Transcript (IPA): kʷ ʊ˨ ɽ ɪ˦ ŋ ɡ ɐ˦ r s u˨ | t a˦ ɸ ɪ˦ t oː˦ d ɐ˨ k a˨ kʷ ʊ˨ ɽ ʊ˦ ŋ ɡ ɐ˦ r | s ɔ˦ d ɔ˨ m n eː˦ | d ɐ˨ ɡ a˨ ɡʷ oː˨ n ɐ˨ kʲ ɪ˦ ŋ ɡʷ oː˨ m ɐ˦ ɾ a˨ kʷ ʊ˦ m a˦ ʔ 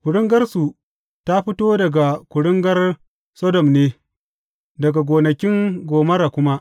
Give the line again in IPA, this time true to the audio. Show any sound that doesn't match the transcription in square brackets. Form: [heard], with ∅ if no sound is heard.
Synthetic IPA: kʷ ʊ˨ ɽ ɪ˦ ŋ ɡ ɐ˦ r s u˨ | t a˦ ɸ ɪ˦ t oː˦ d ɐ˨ [ɡ] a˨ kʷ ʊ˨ ɽ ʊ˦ ŋ ɡ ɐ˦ r | s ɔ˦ d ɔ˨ m n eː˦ | d ɐ˨ ɡ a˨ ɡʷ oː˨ n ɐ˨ kʲ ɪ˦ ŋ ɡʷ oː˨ m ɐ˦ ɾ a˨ kʷ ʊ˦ m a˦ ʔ